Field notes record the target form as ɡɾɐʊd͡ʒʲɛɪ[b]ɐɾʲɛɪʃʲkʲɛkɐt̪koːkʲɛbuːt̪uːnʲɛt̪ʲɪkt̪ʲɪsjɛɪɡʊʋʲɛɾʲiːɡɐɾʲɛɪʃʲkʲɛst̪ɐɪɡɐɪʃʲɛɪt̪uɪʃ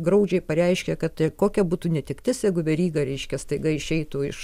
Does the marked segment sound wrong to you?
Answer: yes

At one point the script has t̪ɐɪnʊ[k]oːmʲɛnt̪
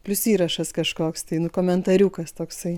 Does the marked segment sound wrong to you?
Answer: no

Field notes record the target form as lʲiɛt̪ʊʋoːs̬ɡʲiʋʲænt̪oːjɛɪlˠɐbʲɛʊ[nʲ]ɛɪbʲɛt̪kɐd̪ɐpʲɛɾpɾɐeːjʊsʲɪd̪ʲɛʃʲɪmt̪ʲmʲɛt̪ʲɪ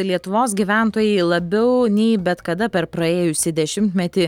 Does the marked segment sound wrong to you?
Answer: no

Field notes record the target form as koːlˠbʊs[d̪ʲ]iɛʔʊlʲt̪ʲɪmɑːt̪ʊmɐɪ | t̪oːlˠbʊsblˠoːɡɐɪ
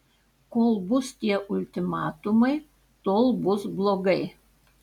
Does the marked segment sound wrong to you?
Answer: yes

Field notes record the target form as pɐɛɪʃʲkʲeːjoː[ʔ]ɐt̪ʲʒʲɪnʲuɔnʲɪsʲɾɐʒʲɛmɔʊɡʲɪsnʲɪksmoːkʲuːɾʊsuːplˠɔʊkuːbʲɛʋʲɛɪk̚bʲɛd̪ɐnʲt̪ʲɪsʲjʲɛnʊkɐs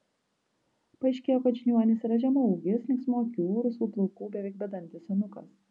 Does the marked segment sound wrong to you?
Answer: yes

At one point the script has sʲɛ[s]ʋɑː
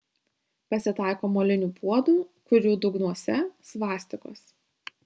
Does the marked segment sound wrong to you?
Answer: no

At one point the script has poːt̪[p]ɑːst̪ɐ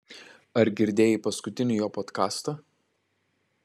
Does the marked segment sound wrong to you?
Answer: yes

